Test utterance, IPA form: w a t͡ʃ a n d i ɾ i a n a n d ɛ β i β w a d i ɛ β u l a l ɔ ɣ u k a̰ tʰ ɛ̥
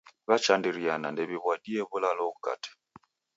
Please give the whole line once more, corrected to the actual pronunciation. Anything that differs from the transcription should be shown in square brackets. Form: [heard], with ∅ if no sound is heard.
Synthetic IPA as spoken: [β] a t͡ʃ a n d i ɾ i a n a n d ɛ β i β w a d i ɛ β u l a l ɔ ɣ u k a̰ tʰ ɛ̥